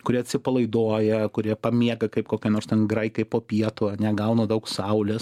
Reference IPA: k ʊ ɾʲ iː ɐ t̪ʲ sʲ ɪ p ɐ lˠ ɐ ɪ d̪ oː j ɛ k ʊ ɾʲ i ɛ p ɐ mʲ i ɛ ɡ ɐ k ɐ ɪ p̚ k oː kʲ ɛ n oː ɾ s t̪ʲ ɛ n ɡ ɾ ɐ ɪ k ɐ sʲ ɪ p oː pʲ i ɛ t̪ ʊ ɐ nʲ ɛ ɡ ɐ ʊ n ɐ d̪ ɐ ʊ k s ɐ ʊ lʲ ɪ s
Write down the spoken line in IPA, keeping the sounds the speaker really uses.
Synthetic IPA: k ʊ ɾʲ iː ɐ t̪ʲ sʲ ɪ p ɐ lˠ ɐ ɪ d̪ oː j ɛ k ʊ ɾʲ i ɛ p ɐ mʲ i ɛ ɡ ɐ k ɐ ɪ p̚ k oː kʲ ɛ n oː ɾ s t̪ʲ ɛ n ɡ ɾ ɐ ɪ k ɐ ɪ p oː pʲ i ɛ t̪ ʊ ɐ nʲ ɛ ɡ ɐ ʊ n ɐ d̪ ɐ ʊ k s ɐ ʊ lʲ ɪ s

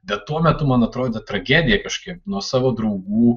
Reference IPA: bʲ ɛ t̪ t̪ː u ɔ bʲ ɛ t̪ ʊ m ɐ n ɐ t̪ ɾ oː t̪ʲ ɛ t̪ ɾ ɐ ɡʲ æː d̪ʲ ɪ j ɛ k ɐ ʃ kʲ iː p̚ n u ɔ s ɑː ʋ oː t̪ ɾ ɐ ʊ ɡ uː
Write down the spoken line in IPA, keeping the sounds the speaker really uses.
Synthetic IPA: bʲ ɛ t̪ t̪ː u ɔ mʲ ɛ t̪ ʊ m ɐ n ɐ t̪ ɾ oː d̪ʲ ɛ t̪ ɾ ɐ ɡʲ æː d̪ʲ ɪ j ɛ k ɐ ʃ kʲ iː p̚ n u ɔ s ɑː ʋ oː d̪ ɾ ɐ ʊ ɡ uː

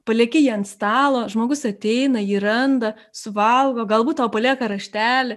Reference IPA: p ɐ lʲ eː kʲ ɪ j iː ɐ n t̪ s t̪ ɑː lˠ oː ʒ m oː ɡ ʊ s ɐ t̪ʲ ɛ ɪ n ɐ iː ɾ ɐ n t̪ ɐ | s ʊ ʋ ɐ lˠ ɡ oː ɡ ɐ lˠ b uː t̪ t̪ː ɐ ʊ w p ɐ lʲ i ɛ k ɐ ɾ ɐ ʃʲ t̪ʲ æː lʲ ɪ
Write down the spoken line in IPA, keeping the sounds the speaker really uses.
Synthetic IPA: p ɐ lʲ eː kʲ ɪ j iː ɐ n t̪ s t̪ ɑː lˠ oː ʒ m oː ɡ ʊ s ɐ t̪ʲ ɛ ɪ n ɐ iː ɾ ɐ n d̪ ɐ | s ʊ ʋ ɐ lˠ ɡ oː ɡ ɐ lˠ b uː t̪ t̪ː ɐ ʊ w p ɐ lʲ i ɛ k ɐ ɾ ɐ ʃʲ t̪ʲ æː lʲ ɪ

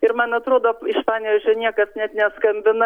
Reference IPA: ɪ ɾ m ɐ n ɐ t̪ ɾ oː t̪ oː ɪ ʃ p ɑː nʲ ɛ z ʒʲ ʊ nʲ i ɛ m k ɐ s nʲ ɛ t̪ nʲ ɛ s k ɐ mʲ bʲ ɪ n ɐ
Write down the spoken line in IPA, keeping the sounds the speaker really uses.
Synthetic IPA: ɪ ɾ m ɐ n ɐ t̪ ɾ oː d̪ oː ɪ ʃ p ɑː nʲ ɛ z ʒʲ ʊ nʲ i ɛ k ɐ s nʲ ɛ t̪ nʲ ɛ s k ɐ mʲ bʲ ɪ n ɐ

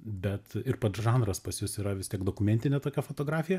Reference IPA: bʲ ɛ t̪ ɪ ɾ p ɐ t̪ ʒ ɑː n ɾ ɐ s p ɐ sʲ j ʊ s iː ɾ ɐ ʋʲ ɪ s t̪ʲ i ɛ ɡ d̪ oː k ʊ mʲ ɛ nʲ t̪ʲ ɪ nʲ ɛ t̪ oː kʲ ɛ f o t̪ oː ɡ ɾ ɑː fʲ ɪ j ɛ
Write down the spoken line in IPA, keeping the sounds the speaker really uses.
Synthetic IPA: bʲ ɛ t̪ ɪ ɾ p ɐ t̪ ʒ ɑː n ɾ ɐ s p ɐ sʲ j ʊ s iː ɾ ɐ ʋʲ ɪ s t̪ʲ i ɛ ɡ d̪ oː k ʊ mʲ ɛ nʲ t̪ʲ ɪ nʲ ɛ t̪ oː kʲ ɛ f o t̪ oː ɡ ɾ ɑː fʲ ɪ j ɛ

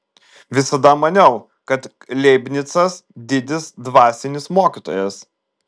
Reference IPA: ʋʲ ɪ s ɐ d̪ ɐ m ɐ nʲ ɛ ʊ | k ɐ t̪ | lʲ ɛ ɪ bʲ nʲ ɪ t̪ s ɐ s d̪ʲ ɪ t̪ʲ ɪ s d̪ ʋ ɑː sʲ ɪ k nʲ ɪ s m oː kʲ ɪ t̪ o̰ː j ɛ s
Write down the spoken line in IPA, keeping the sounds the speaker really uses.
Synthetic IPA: ʋʲ ɪ s ɐ d̪ ɐ m ɐ nʲ ɛ ʊ | k ɐ t̪ | lʲ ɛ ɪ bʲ nʲ ɪ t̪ s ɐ s d̪ʲ ɪ d̪ʲ ɪ s d̪ ʋ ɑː sʲ ɪ nʲ ɪ s m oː kʲ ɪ t̪ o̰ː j ɛ s

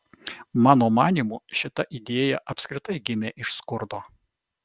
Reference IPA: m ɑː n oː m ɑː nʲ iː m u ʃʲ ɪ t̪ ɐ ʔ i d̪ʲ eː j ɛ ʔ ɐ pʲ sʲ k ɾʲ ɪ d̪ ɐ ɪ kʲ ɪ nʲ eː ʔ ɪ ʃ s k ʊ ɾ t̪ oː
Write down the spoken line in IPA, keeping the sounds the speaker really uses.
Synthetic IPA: m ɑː n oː m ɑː nʲ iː m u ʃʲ ɪ t̪ ɐ ʔ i d̪ʲ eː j ɛ ʔ ɐ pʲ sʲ k ɾʲ ɪ t̪ ɐ ɪ ɡʲ ɪ mʲ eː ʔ ɪ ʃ s k ʊ ɾ d̪ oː

